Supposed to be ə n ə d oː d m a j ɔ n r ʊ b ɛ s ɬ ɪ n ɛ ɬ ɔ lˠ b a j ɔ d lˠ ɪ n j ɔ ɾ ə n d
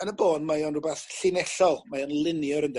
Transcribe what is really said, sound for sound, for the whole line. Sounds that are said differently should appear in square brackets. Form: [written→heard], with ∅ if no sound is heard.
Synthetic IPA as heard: ə n ə [d→b] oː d m a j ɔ n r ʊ b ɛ [s→θ] ɬ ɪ n ɛ ɬ ɔ lˠ [b→m] a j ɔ [d→n] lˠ ɪ n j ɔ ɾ ə n d